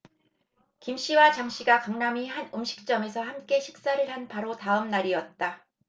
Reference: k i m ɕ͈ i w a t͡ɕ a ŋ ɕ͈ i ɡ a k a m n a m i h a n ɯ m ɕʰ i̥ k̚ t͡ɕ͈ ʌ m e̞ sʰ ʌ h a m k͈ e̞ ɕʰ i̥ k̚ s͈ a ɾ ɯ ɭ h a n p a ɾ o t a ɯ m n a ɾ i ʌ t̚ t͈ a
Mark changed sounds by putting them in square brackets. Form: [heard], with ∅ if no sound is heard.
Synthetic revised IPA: k i m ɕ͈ i w a t͡ɕ a ŋ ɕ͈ i ɡ a k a [ŋ] n a m i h a n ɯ m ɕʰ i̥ k̚ t͡ɕ͈ ʌ m e̞ sʰ ʌ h a m k͈ e̞ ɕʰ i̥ k̚ s͈ a ɾ ɯ ɭ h a n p a ɾ o t a ɯ m n a ɾ i ʌ t̚ t͈ a